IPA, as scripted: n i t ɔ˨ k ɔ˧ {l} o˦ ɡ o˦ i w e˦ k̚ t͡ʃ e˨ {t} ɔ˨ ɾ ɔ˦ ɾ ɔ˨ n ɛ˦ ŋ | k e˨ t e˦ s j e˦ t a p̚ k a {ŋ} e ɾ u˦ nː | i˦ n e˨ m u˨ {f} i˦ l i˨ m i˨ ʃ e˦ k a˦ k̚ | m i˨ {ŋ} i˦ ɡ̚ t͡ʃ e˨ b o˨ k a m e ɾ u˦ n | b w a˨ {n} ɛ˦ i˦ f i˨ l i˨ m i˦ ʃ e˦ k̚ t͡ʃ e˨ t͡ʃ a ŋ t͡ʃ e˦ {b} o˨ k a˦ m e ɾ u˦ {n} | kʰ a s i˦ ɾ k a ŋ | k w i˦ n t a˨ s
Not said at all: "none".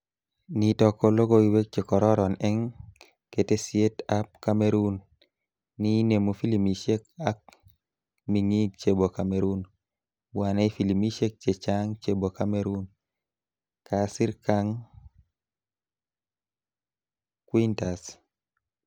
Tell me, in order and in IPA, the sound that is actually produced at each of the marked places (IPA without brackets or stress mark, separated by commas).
l, k, m, f, ŋ, n, b, n